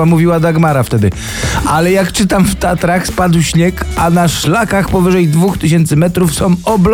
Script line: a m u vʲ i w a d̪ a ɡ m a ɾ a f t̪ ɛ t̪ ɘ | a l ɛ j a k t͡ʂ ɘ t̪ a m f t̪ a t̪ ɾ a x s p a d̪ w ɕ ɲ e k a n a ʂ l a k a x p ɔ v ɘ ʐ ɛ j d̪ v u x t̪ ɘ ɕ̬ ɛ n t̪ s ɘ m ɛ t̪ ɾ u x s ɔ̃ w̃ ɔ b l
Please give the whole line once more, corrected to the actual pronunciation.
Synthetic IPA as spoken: a m u vʲ i w a d̪ a ɡ m a ɾ a f t̪ ɛ d̪ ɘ | a l ɛ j a k t͡ʂ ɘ t̪ a m f t̪ a t̪ ɾ a x s p a d̪ w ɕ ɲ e k a n a ʂ l a k a x p ɔ v ɘ ʐ ɛ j d̪ v u x t̪ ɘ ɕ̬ ɛ n t̪ s ɘ m ɛ t̪ ɾ u f s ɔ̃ w̃ ɔ b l